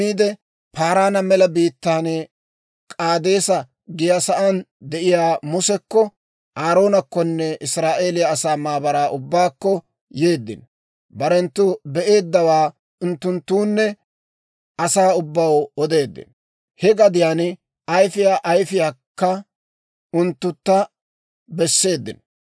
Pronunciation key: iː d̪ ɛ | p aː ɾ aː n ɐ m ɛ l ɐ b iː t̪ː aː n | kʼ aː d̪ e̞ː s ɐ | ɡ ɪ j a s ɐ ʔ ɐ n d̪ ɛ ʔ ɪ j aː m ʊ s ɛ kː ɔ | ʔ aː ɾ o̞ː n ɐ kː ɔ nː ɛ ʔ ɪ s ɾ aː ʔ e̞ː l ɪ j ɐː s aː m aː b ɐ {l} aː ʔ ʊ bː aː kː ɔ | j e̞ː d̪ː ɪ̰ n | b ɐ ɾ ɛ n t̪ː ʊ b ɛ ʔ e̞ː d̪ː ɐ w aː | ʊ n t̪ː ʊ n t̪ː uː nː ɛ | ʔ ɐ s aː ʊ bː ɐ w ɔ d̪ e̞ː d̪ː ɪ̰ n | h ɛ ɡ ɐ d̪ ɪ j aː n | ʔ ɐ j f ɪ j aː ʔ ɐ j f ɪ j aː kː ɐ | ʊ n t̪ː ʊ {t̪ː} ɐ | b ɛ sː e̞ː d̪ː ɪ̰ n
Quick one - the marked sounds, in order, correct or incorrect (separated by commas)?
incorrect, correct